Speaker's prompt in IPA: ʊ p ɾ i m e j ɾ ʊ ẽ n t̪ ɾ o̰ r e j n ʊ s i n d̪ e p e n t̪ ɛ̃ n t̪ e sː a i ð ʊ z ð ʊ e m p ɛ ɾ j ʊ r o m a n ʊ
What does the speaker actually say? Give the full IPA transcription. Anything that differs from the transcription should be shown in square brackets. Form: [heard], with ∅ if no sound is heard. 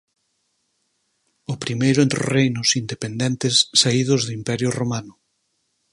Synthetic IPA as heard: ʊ p ɾ i m e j ɾ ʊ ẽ n t̪ ɾ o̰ r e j n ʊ s i n d̪ e p e n [d̪] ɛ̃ n t̪ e sː a i ð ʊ z ð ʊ [i] m p ɛ ɾ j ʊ r o m a n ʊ